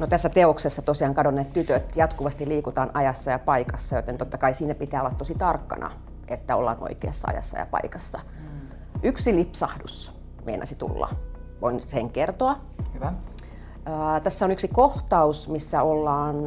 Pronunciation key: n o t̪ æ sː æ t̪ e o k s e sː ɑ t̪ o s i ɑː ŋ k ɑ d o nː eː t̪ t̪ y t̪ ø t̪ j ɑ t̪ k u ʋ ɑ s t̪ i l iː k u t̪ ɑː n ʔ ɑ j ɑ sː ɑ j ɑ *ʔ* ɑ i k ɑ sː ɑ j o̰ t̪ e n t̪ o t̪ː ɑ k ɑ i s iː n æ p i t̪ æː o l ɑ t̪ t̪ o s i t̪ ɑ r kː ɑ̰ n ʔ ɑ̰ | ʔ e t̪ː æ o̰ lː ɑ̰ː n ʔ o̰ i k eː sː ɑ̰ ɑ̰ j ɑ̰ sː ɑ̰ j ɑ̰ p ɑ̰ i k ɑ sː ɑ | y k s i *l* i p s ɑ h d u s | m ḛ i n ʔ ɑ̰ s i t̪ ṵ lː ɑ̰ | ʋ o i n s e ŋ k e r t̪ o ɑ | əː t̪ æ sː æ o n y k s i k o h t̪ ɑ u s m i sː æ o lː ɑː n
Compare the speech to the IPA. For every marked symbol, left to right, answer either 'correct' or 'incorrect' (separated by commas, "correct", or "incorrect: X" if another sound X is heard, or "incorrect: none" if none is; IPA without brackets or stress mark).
incorrect: p, correct